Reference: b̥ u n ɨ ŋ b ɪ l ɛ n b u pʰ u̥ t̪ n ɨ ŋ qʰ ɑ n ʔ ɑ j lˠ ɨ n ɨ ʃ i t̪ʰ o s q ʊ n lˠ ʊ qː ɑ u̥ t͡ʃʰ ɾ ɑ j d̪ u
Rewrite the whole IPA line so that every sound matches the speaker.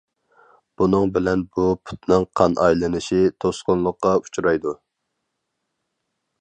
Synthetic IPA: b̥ u n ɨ ŋ b ɪ l ɛ n b u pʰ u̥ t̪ n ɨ ŋ qʰ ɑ n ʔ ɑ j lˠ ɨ n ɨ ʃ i t̪ʰ o s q ʊ n lˠ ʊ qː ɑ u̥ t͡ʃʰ ɾ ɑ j d̪ u